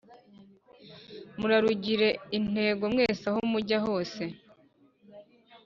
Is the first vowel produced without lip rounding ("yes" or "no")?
no